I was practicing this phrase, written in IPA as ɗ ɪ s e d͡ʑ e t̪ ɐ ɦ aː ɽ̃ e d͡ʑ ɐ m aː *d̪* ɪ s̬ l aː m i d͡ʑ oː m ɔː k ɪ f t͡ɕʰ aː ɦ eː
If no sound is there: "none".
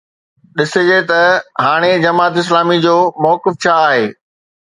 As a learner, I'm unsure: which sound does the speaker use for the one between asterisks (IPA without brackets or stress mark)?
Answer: t̪